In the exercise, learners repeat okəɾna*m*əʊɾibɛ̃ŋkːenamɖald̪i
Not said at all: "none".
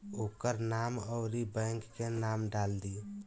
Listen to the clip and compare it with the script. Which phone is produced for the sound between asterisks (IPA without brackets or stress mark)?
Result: m